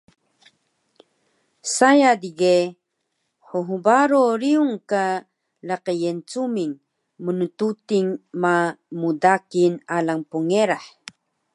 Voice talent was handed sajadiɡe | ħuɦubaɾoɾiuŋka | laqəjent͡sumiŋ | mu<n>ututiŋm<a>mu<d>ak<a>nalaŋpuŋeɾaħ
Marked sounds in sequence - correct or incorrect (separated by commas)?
correct, correct, correct, incorrect